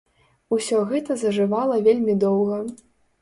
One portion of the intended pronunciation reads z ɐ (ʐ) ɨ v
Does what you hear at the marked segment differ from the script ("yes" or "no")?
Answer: no